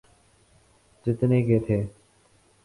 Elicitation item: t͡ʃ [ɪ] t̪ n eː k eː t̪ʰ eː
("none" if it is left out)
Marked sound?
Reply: ɪ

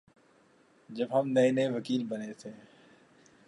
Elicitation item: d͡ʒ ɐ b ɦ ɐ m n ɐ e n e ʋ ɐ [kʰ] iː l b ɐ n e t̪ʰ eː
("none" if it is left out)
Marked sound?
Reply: k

